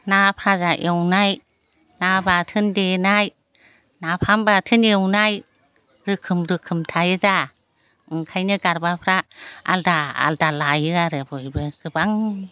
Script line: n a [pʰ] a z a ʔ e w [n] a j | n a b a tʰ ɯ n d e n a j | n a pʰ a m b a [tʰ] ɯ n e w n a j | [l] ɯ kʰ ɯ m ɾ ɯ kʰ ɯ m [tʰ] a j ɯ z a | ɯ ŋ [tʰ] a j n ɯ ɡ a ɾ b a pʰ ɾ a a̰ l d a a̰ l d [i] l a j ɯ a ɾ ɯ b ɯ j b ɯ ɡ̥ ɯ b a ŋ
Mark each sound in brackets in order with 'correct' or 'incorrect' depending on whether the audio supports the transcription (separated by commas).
correct, correct, correct, incorrect, correct, incorrect, incorrect